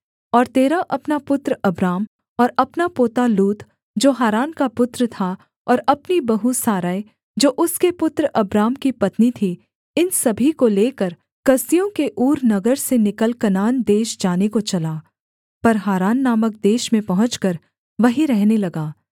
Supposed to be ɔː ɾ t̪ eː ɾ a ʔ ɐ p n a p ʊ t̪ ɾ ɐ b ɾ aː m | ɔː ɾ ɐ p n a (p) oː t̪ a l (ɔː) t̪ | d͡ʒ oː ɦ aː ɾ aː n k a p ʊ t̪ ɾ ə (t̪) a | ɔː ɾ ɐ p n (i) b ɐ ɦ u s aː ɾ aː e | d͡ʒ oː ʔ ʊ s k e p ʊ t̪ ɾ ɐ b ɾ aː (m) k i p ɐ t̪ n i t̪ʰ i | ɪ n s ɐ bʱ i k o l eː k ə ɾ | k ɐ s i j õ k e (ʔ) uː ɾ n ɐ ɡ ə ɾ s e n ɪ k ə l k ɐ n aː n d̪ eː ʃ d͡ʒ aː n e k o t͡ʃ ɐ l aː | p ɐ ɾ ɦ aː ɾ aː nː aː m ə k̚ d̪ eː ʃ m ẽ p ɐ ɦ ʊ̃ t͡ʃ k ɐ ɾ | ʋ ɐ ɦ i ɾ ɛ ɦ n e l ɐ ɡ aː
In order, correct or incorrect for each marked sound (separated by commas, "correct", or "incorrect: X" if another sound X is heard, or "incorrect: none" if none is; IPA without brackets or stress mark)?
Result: correct, incorrect: uː, incorrect: t̪ʰ, correct, correct, correct